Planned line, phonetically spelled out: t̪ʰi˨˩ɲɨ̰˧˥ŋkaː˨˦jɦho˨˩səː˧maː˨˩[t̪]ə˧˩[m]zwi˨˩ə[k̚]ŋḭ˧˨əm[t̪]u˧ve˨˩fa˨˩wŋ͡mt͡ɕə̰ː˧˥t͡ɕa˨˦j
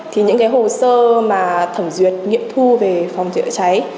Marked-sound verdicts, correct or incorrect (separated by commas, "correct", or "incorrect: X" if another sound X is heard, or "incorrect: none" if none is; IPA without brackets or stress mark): incorrect: t̪ʰ, correct, incorrect: t̚, incorrect: t̪ʰ